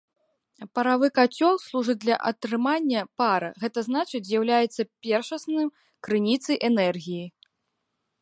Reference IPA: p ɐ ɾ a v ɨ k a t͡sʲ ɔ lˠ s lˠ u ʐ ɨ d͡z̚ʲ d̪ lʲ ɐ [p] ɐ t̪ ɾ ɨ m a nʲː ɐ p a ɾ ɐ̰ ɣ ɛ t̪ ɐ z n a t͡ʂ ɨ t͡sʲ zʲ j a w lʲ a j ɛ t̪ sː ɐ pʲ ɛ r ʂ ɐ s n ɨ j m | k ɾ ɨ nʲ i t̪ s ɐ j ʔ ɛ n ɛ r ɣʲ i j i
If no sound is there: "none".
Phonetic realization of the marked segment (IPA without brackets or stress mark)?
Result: ʔ